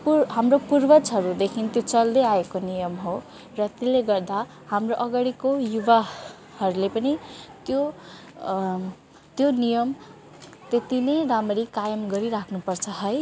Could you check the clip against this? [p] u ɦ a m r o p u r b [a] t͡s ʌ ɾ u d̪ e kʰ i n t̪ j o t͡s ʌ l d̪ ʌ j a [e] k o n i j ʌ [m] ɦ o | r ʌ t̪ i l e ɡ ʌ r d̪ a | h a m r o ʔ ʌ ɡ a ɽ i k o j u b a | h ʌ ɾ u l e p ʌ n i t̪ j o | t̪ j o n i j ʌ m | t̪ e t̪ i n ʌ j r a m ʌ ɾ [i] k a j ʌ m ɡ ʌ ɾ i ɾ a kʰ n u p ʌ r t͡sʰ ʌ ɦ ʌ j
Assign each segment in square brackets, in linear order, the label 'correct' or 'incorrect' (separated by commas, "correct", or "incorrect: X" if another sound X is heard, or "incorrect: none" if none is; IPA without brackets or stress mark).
correct, incorrect: ʌ, correct, correct, correct